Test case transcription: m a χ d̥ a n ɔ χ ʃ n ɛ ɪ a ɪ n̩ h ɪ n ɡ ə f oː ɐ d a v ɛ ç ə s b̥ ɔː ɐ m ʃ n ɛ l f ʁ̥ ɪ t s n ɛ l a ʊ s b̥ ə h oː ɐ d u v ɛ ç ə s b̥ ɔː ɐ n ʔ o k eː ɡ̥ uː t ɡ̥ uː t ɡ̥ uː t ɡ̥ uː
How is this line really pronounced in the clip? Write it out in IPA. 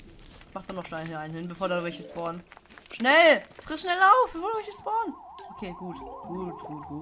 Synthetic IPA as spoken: m a χ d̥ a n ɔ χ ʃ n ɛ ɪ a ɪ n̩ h ɪ n b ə f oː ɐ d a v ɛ ç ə s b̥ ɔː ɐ n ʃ n ɛ l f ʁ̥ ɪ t ʃ n ɛ l a ʊ f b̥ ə f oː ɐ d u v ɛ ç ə s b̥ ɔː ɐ n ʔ o kʰ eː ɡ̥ uː t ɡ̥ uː t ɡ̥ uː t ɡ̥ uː